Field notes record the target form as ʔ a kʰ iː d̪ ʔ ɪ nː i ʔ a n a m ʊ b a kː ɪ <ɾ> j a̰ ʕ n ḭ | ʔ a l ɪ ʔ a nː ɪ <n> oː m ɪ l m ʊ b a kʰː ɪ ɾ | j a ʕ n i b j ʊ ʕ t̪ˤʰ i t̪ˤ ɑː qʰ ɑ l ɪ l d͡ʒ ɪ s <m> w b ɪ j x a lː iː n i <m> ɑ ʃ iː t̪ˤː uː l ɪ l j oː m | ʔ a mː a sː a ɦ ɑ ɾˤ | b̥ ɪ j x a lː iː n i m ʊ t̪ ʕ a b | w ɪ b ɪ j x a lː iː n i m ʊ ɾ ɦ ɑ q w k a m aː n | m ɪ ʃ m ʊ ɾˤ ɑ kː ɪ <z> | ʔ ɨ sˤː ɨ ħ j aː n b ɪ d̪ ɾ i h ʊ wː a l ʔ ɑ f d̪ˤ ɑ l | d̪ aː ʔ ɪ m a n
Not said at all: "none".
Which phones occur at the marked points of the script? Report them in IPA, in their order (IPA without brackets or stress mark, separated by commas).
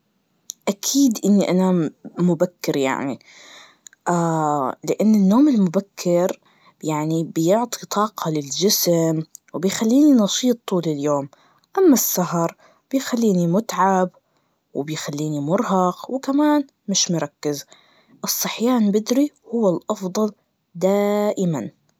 ɾ, nː, m, n, z